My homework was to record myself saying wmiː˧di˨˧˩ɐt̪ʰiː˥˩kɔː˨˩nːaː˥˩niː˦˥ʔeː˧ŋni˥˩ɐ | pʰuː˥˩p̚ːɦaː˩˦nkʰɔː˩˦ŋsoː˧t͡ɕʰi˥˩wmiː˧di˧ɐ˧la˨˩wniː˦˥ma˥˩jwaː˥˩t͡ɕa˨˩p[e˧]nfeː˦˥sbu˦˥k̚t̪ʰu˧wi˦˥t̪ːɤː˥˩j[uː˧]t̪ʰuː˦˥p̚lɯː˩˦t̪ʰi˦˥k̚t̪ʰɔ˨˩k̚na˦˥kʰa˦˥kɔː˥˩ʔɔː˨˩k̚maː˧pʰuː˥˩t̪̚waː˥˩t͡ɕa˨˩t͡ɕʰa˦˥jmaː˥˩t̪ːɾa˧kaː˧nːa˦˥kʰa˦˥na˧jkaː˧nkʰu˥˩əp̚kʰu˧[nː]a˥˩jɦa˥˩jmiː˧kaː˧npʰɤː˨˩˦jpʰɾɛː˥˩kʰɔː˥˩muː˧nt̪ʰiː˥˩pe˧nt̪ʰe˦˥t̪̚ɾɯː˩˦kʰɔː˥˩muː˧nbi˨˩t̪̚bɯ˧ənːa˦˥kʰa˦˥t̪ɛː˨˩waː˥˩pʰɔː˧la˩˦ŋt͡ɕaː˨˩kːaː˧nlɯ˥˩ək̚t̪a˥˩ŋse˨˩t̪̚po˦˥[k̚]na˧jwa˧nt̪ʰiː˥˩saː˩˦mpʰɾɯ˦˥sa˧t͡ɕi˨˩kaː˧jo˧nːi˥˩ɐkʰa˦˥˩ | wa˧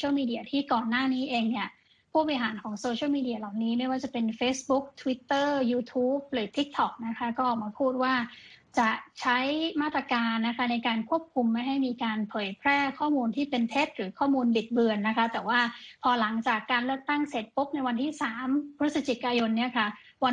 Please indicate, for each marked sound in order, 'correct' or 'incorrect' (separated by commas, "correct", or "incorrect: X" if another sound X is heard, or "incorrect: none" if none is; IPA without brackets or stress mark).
correct, correct, incorrect: mː, incorrect: p̚